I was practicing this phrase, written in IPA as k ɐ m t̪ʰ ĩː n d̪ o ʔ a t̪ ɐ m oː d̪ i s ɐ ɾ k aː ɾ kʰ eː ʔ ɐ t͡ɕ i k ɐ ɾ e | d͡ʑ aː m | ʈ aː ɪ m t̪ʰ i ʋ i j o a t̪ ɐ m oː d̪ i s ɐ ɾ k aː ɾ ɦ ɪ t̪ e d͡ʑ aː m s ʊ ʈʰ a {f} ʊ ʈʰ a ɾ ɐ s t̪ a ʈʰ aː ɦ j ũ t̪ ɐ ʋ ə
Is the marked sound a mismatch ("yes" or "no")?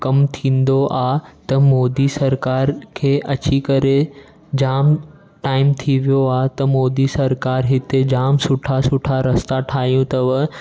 yes